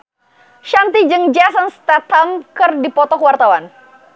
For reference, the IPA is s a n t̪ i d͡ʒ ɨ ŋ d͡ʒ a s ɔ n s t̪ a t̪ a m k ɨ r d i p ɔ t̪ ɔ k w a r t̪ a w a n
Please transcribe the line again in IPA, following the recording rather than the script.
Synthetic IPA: ʃ a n t̪ i d͡ʒ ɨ ŋ d͡ʒ a s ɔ n s t̪ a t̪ a m k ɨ r d i p ɔ t̪ ɔ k w a r t̪ a w a n